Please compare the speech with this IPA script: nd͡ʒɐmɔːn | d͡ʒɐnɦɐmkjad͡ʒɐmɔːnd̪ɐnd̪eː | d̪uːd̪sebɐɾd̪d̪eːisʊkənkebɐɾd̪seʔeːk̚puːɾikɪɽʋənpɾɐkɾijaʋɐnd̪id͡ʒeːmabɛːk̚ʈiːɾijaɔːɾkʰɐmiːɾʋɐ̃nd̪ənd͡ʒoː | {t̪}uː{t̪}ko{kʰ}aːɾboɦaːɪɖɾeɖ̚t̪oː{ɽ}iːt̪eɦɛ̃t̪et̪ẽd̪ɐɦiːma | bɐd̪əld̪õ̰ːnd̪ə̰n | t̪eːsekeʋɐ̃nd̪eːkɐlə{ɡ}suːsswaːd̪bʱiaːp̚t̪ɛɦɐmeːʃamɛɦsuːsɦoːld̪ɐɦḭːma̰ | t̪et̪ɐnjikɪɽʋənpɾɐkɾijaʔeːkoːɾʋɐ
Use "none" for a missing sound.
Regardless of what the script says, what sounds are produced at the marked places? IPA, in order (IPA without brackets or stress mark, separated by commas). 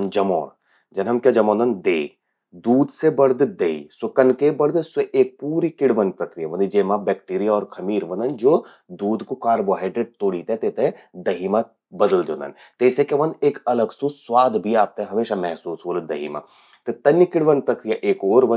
d̪, d̪, k, ɽ, ɡ